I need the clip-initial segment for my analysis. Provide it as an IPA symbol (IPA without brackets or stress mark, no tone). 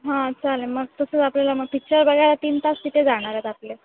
ɦ